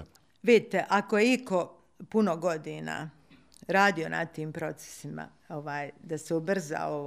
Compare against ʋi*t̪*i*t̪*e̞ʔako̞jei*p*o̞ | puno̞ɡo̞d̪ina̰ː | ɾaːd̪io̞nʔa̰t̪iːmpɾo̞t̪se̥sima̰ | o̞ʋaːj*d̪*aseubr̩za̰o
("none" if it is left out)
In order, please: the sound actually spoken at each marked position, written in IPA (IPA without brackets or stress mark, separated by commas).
d̪, t̪, k, d̪